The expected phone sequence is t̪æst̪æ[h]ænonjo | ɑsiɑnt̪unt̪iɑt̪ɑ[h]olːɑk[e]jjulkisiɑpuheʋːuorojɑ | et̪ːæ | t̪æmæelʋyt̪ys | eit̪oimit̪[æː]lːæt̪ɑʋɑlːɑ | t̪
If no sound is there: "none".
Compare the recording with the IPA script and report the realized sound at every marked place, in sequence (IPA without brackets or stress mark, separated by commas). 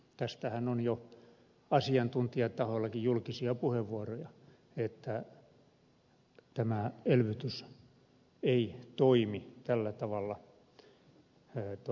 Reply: h, h, i, æ